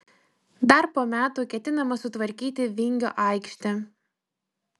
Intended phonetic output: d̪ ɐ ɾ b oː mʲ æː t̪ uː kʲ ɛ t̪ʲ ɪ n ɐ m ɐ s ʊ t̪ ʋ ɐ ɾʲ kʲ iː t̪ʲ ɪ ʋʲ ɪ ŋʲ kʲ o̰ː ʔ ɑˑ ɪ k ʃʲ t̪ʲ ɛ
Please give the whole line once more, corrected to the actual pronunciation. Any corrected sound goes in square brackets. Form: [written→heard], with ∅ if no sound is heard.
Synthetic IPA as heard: d̪ ɐ ɾ [b→p] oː mʲ æː t̪ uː kʲ ɛ t̪ʲ ɪ n ɐ m ɐ s ʊ t̪ ʋ ɐ ɾʲ kʲ iː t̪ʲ ɪ ʋʲ ɪ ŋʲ [kʲ→ɡʲ] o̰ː ʔ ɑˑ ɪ k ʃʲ t̪ʲ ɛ

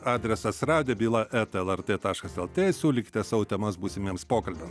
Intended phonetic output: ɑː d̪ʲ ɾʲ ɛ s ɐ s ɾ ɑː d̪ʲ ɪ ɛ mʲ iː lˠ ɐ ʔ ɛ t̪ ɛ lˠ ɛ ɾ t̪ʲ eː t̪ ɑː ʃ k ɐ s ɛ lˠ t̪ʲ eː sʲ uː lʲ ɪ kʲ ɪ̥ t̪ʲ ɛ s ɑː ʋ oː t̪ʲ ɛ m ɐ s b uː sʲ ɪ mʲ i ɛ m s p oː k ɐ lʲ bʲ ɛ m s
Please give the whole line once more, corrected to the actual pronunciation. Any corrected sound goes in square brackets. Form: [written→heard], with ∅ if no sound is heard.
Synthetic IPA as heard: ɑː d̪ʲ ɾʲ ɛ s ɐ s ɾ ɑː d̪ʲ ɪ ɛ [mʲ→bʲ] iː lˠ ɐ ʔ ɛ t̪ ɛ lˠ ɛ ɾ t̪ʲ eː t̪ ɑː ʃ k ɐ s ɛ lˠ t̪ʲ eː sʲ uː lʲ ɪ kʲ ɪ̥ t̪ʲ ɛ s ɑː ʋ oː t̪ʲ ɛ m ɐ s b uː sʲ ɪ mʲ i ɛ m s p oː k ɐ lʲ bʲ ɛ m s

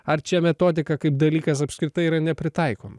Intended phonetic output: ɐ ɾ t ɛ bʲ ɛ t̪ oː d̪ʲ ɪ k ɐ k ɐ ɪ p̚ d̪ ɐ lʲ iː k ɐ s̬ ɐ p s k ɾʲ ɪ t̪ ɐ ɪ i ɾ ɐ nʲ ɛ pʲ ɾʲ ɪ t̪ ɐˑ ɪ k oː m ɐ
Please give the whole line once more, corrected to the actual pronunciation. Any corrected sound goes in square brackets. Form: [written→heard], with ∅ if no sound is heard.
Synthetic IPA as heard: ɐ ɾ [t→t͡ʃʲ] ɛ [bʲ→mʲ] ɛ t̪ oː d̪ʲ ɪ k ɐ k ɐ ɪ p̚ d̪ ɐ lʲ iː k ɐ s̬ ɐ p s k ɾʲ ɪ t̪ ɐ ɪ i ɾ ɐ nʲ ɛ pʲ ɾʲ ɪ t̪ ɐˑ ɪ k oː m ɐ

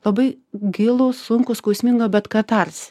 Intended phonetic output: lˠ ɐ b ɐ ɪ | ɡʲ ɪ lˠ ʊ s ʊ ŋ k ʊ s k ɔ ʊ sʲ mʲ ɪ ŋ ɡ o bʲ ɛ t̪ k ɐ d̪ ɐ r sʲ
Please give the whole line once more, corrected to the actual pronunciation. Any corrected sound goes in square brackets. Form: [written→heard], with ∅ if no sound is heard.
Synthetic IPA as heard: lˠ ɐ b ɐ ɪ | ɡʲ ɪ lˠ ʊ s ʊ ŋ k ʊ s k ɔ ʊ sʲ mʲ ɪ ŋ ɡ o bʲ ɛ t̪ k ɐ [d̪→t̪] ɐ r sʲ

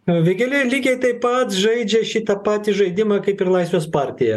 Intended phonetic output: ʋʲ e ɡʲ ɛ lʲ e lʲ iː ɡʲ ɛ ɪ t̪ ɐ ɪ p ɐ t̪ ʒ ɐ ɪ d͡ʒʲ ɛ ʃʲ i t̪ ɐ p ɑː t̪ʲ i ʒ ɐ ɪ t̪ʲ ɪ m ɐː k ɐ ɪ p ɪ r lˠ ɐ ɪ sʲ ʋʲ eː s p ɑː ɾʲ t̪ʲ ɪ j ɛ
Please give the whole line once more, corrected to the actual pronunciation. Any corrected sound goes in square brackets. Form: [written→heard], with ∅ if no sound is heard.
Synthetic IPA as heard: ʋʲ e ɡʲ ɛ lʲ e lʲ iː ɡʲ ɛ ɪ t̪ ɐ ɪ p ɐ t̪ ʒ ɐ ɪ d͡ʒʲ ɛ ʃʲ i t̪ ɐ p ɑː t̪ʲ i ʒ ɐ ɪ [t̪ʲ→d̪ʲ] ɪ m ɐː k ɐ ɪ p ɪ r lˠ ɐ ɪ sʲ ʋʲ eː s p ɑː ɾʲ t̪ʲ ɪ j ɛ

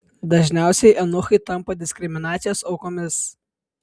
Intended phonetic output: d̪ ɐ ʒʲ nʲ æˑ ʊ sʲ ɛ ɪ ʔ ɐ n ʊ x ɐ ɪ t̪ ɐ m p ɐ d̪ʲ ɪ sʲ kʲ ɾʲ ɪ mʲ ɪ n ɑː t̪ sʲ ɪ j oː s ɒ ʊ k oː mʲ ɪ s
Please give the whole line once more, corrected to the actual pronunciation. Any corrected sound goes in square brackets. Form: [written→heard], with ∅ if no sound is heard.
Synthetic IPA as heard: d̪ ɐ ʒʲ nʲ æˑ ʊ sʲ ɛ ɪ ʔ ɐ n ʊ x ɐ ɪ t̪ ɐ m p ɐ d̪ʲ ɪ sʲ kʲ ɾʲ ɪ mʲ ɪ n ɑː t̪ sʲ ɪ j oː s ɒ ʊ k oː mʲ ɪ s

